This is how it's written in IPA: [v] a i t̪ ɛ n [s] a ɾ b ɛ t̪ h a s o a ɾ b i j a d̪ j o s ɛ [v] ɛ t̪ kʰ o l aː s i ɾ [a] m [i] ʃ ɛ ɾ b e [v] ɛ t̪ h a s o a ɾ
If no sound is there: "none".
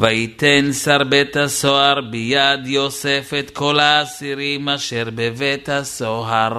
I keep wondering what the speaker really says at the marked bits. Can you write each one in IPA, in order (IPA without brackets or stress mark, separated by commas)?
v, s, f, i, a, v